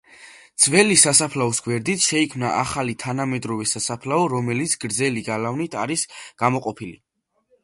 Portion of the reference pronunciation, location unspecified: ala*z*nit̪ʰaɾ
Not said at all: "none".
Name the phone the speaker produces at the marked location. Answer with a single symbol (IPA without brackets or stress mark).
v